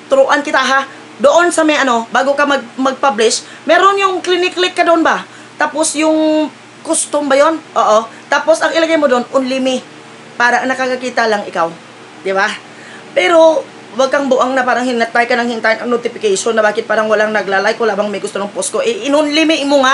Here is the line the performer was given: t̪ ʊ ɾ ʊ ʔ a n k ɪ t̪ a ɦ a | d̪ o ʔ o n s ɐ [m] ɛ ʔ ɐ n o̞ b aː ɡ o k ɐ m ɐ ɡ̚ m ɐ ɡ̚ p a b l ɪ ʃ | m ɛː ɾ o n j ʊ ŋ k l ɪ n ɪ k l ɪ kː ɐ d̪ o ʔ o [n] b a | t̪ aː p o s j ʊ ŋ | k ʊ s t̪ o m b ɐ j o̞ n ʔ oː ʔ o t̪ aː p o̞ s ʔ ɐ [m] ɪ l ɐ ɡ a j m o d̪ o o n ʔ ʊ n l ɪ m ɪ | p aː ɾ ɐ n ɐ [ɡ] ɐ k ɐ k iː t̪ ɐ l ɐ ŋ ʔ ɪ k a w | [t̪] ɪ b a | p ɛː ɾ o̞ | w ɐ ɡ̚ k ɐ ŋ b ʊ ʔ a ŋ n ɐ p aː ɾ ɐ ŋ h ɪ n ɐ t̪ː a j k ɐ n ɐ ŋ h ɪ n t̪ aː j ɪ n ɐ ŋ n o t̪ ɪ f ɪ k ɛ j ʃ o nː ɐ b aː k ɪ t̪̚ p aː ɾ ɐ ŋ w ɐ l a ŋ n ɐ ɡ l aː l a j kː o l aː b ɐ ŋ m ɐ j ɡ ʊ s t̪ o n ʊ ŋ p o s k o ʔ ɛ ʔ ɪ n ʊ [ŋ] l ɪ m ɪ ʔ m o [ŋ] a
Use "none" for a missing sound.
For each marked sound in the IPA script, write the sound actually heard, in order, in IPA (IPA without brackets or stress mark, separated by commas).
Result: m, n, ŋ, k, d̪, n, ŋ